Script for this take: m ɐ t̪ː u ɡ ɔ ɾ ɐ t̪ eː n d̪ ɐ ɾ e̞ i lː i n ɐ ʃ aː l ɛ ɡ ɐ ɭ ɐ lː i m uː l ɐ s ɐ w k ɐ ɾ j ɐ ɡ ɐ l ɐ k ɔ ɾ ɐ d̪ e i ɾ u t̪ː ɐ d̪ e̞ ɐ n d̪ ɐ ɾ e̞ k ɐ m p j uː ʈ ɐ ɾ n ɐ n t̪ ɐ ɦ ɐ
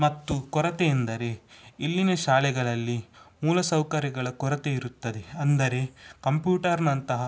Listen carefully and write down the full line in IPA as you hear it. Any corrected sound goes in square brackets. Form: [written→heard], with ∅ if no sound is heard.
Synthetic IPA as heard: m ɐ t̪ː u [ɡ→k] ɔ ɾ ɐ t̪ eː n d̪ ɐ ɾ e̞ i lː i n ɐ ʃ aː l ɛ ɡ ɐ ɭ ɐ lː i m uː l ɐ s ɐ w k ɐ ɾ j ɐ ɡ ɐ [l→ɭ] ɐ k ɔ ɾ ɐ [d̪→t̪] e i ɾ u t̪ː ɐ d̪ e̞ ɐ n d̪ ɐ ɾ e̞ k ɐ m p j uː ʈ ɐ ɾ n ɐ n t̪ ɐ ɦ ɐ